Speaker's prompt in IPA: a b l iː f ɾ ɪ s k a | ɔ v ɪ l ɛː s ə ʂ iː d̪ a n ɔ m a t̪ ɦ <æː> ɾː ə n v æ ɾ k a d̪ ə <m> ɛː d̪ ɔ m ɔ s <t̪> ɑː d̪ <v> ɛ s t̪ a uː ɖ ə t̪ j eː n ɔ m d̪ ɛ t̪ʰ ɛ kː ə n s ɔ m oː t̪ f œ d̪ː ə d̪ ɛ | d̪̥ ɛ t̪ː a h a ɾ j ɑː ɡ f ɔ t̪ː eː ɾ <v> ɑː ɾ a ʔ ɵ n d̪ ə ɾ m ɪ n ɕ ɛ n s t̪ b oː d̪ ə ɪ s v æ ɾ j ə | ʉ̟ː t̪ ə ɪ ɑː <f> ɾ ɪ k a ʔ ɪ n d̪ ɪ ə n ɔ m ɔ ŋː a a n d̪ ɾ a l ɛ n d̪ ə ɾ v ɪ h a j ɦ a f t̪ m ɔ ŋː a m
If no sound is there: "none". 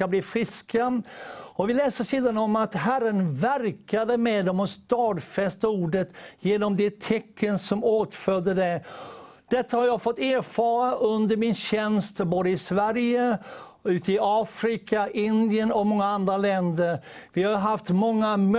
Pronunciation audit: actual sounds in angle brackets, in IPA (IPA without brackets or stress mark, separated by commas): æ, m, t̪, f, f, f